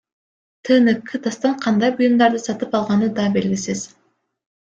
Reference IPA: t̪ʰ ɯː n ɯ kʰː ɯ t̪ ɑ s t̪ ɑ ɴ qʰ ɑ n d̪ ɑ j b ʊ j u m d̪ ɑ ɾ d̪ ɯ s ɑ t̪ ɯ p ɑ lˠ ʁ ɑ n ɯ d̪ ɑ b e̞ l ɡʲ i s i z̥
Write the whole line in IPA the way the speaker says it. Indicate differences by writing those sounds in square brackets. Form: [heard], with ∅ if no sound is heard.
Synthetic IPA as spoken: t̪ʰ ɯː n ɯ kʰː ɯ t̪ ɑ s t̪ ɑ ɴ qʰ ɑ n d̪ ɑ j b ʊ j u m d̪ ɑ ɾ d̪ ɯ s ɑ t̪ ɯ p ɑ lˠ ʁ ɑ n ɯ d̪ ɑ b e̞ l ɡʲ i s i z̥

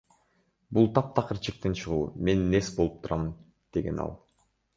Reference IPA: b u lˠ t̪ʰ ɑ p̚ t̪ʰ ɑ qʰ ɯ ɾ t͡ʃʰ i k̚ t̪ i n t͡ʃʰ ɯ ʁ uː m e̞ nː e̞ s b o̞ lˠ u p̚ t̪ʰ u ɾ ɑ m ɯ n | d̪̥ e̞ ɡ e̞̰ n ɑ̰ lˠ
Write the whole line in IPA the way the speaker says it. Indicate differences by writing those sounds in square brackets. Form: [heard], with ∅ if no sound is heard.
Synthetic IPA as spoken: b u lˠ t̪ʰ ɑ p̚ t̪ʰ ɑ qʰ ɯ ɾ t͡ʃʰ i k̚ t̪ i n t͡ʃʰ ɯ ʁ uː m e̞ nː e̞ s b o̞ lˠ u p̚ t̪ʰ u ɾ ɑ m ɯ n | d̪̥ e̞ ɡ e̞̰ n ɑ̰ lˠ

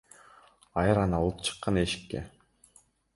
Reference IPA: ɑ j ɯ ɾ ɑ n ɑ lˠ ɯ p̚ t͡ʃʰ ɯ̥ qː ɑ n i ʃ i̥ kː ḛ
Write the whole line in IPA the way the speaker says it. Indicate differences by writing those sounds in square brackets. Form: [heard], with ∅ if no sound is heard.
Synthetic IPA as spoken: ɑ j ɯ ɾ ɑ n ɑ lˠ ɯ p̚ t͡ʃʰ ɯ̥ qː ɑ n [e] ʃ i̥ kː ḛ

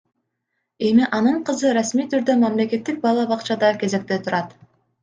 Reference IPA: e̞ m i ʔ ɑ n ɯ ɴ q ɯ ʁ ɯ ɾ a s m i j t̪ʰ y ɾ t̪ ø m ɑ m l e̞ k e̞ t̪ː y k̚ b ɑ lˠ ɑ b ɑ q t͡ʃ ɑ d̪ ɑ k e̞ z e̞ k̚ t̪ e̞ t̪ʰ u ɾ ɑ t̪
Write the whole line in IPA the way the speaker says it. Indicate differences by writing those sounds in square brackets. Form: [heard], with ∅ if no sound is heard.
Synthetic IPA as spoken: e̞ m i ʔ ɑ n ɯ ɴ q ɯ [z] ɯ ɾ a s m i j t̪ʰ y ɾ [d̪] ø m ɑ m l e̞ k e̞ t̪ː [i] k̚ b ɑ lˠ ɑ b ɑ q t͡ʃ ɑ d̪ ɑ k e̞ z e̞ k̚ t̪ e̞ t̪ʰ u ɾ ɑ t̪

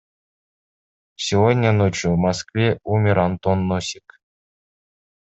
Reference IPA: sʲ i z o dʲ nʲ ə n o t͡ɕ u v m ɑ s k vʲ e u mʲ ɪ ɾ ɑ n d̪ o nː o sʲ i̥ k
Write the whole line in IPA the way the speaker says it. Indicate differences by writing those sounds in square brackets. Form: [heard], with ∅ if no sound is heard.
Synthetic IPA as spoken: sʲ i [v] o dʲ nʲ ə n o t͡ɕ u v m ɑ s k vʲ e u mʲ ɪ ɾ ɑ n [t̪] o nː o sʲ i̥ k

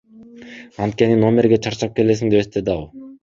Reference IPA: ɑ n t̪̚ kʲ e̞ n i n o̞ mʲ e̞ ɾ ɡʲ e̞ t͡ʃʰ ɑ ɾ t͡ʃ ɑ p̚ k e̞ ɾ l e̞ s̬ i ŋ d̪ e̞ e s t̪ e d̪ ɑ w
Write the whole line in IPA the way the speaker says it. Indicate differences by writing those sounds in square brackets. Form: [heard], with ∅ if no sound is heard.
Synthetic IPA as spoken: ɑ n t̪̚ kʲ e̞ n i n o̞ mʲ e̞ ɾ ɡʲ e̞ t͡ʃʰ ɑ ɾ t͡ʃ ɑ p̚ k e̞ [∅] l e̞ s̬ i ŋ d̪ e̞ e s t̪ e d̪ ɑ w

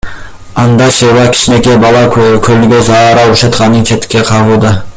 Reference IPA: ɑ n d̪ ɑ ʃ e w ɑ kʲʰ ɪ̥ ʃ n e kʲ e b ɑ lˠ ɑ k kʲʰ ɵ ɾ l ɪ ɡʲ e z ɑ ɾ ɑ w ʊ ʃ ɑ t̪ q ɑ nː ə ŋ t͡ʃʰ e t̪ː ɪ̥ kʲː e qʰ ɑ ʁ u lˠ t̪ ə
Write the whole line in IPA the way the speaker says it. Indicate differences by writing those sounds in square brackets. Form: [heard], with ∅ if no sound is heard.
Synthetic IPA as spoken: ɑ n d̪ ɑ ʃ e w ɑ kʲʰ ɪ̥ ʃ n e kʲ e b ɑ lˠ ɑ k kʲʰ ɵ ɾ l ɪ ɡʲ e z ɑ ɾ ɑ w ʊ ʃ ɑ t̪ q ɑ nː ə ŋ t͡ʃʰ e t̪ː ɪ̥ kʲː e qʰ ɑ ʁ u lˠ [d̪] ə

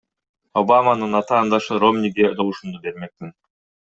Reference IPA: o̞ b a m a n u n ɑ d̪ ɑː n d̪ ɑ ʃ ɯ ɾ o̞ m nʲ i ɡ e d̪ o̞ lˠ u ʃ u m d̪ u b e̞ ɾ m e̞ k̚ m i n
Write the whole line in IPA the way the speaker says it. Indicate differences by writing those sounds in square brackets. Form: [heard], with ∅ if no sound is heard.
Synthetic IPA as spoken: o̞ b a m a n [ɯ] n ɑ [t̪] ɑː n d̪ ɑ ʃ ɯ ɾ o̞ m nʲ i ɡ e d̪ o̞ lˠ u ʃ u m d̪ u b e̞ ɾ m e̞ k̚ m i n

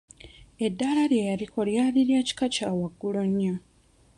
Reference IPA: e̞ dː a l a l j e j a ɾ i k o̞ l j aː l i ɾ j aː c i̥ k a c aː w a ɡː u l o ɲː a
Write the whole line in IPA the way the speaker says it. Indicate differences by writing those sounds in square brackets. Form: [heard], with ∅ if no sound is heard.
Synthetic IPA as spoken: e̞ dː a l a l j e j a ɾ i k o̞ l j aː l i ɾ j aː c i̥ k a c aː w a ɡː u l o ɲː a

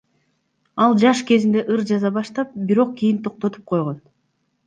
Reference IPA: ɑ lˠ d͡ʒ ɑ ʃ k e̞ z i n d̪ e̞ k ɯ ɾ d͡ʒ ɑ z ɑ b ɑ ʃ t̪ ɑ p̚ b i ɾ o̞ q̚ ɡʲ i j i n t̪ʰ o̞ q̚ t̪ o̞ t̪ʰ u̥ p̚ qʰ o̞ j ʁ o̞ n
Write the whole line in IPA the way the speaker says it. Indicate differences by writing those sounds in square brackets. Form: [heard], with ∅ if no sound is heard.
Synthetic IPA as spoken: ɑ lˠ d͡ʒ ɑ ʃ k e̞ z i n d̪ e̞ [ʔ] ɯ ɾ d͡ʒ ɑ z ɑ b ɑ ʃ t̪ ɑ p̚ b i ɾ o̞ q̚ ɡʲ i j i n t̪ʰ o̞ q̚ t̪ o̞ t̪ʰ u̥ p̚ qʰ o̞ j ʁ o̞ n

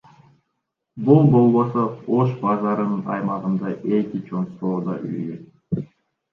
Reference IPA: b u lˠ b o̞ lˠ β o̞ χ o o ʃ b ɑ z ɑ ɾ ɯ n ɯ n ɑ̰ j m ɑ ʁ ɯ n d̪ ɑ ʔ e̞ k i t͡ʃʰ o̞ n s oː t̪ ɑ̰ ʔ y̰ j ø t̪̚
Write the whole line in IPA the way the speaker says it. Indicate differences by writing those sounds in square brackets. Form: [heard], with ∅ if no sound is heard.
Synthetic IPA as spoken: b u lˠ b o̞ lˠ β o̞ [s] o o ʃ b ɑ z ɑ ɾ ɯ n ɯ n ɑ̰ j m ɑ ʁ ɯ n d̪ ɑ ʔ e̞ k i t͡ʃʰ o̞ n s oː [d̪] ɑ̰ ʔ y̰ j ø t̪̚

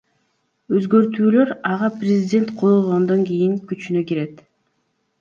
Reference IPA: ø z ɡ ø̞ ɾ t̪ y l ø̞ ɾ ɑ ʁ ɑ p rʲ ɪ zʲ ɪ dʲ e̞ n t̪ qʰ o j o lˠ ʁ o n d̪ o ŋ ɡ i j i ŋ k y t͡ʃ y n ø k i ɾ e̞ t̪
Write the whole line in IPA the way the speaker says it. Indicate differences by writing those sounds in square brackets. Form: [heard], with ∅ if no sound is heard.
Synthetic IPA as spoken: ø z ɡ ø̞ ɾ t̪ [yː] l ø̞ ɾ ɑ ʁ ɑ p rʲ ɪ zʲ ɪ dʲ e̞ n t̪ qʰ o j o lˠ ʁ o n d̪ o ŋ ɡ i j i ŋ k y t͡ʃ y n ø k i ɾ e̞ t̪

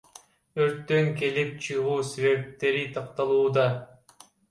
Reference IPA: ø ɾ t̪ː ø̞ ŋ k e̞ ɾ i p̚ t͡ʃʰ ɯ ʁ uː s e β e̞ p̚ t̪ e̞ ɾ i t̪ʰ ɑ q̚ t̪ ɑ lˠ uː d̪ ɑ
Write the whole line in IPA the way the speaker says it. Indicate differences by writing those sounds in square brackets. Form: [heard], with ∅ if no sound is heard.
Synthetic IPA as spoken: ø ɾ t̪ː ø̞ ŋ k e̞ [l] i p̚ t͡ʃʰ ɯ ʁ uː s e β e̞ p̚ t̪ e̞ ɾ i t̪ʰ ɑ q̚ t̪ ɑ lˠ uː d̪ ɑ

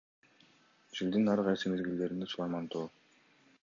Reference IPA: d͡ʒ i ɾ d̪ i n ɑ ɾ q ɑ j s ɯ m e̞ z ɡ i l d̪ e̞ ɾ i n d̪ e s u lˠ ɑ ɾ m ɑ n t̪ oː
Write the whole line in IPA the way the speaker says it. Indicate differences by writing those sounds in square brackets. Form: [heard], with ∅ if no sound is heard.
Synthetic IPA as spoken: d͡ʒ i [l] d̪ i n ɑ ɾ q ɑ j s ɯ m e̞ z ɡ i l d̪ e̞ ɾ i n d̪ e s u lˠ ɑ ɾ m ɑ n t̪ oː

